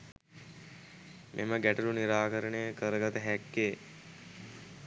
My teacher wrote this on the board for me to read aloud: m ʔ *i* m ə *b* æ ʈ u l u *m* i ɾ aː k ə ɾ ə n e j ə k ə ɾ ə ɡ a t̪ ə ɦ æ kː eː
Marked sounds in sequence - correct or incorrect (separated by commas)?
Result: incorrect, incorrect, incorrect